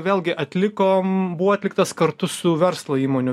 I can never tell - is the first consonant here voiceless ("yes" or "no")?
no